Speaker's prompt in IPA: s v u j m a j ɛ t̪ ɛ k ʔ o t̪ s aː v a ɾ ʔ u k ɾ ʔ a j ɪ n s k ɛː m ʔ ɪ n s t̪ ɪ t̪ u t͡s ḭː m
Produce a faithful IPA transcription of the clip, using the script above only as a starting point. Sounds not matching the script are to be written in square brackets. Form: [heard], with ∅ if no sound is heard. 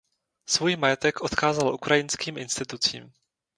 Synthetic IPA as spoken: s v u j m a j ɛ t̪ ɛ k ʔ o t̪ [x] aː [z] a [l] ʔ u k ɾ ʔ a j ɪ n s k [iː] m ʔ ɪ n s t̪ ɪ t̪ u t͡s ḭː m